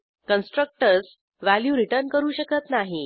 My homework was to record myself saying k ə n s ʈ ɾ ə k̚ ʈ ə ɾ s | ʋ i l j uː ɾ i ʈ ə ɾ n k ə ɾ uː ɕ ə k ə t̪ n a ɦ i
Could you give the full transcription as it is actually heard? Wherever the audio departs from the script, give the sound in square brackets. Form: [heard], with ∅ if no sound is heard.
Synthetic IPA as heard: k ə n s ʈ ɾ ə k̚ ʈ ə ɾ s | ʋ [æ] l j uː ɾ i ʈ ə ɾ n k ə ɾ uː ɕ ə k ə t̪ n a ɦ i